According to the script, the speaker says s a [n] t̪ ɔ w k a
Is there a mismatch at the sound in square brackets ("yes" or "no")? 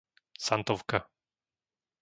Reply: no